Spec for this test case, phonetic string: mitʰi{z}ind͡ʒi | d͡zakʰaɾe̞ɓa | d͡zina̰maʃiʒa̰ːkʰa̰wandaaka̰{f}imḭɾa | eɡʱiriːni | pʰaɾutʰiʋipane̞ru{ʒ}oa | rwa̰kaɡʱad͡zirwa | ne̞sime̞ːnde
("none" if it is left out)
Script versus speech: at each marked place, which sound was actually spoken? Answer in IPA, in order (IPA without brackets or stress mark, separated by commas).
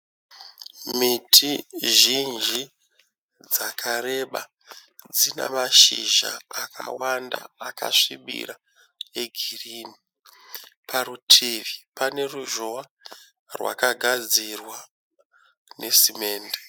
ʒ, ʂ, ʒ